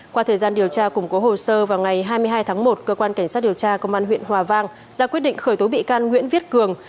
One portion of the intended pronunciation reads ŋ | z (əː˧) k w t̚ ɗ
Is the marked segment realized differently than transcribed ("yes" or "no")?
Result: yes